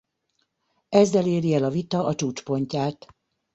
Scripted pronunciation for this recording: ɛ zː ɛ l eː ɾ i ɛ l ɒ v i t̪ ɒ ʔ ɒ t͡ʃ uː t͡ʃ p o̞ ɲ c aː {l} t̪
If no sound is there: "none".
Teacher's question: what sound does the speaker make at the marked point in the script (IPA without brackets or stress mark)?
none